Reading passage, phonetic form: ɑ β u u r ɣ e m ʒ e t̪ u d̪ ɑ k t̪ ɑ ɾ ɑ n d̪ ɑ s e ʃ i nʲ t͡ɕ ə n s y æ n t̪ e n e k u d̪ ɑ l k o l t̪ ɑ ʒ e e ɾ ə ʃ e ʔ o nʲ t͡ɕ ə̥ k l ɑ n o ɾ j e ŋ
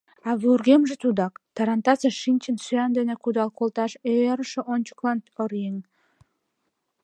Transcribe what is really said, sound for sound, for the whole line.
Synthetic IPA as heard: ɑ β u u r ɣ e m ʒ e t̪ u d̪ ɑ k t̪ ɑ ɾ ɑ n t̪ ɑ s e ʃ i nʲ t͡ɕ ə n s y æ n d̪ e n e k u d̪ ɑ l k o l t̪ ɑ ʃ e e ɾ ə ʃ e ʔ o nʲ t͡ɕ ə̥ k l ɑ n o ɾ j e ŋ